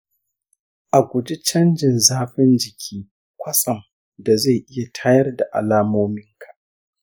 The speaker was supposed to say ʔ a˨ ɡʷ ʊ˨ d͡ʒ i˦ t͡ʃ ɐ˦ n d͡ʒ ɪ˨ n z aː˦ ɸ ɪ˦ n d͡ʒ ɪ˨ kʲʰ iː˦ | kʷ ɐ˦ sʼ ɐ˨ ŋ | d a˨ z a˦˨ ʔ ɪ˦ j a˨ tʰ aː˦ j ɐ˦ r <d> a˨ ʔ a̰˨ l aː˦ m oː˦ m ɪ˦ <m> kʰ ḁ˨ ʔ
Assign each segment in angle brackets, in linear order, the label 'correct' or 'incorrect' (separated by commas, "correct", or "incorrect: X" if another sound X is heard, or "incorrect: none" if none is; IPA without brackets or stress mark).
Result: correct, incorrect: ŋ